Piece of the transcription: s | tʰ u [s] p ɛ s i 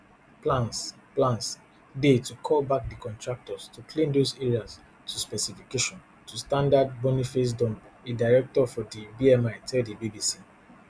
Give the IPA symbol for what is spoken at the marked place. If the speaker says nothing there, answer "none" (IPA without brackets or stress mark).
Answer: s